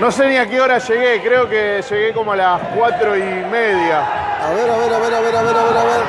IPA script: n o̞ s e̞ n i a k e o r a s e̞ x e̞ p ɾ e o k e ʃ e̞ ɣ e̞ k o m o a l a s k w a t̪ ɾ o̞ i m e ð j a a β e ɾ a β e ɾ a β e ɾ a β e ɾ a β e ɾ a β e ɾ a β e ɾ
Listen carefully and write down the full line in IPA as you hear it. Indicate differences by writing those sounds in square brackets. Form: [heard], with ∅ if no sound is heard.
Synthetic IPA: n o̞ s e̞ n i a k e o [ɾ] a [ʃ] e̞ [ɣ] e̞ [k] ɾ e o k e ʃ e̞ ɣ e̞ k o m o a l a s k w a t̪ ɾ o̞ i m e ð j a a β e ɾ a β e ɾ a β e ɾ a β e ɾ a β e ɾ a β e ɾ a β e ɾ